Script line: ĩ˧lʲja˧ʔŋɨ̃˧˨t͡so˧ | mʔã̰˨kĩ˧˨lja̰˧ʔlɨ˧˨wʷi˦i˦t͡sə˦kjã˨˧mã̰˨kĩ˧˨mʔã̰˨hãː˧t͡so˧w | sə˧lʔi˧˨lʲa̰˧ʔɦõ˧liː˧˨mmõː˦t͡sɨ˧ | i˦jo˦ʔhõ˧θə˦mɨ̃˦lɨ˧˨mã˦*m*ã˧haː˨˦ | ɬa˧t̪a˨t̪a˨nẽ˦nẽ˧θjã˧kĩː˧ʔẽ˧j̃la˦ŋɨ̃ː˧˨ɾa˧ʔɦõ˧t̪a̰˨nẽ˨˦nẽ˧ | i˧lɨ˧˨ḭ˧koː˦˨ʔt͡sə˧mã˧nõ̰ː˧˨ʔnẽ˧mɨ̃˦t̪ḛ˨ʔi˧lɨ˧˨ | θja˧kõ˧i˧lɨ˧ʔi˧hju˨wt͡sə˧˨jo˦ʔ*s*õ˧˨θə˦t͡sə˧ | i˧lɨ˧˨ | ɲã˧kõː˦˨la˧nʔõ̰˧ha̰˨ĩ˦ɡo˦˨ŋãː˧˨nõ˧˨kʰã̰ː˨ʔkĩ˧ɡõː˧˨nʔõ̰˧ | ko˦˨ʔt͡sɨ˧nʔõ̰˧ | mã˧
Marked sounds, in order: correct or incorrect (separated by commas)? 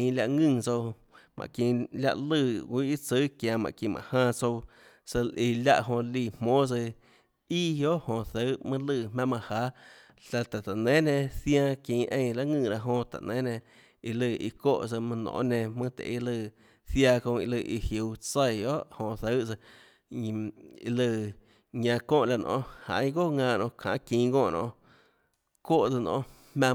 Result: correct, incorrect